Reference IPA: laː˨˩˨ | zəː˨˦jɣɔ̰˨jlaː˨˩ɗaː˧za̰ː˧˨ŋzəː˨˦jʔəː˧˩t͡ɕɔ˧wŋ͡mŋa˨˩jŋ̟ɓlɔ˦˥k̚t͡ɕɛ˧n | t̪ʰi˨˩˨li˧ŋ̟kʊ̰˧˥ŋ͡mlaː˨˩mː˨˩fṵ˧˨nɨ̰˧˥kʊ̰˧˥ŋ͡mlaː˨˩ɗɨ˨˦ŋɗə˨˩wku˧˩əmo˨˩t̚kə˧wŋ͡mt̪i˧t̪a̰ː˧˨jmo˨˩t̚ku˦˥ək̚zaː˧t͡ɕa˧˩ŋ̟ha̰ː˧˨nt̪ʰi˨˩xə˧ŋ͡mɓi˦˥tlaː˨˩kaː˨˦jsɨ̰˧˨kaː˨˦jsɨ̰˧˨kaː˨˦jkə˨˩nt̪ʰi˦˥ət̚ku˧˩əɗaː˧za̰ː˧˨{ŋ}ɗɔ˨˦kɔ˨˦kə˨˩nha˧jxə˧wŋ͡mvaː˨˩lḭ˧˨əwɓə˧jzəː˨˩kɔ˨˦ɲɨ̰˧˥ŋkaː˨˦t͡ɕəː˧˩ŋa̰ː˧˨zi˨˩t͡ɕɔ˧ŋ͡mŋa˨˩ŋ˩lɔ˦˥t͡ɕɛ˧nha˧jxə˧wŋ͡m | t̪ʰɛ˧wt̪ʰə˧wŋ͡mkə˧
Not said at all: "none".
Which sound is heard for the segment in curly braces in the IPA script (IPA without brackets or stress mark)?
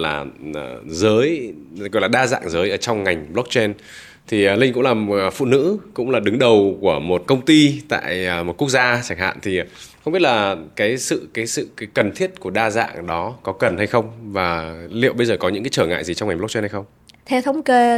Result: ŋ